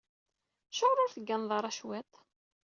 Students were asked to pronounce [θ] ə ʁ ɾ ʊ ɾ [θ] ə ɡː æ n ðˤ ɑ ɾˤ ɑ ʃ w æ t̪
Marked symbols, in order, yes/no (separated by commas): no, yes